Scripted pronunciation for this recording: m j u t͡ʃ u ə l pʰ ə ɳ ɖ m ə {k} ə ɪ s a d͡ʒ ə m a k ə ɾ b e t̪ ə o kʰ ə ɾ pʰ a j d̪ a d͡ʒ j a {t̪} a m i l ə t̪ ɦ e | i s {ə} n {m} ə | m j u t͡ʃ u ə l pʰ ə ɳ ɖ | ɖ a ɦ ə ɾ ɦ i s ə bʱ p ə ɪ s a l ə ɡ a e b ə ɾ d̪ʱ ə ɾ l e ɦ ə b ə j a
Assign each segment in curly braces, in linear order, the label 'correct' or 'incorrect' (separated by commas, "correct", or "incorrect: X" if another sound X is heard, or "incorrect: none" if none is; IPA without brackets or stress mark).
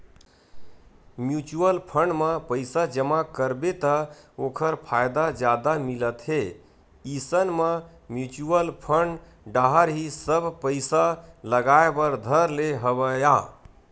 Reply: incorrect: p, incorrect: d̪, correct, correct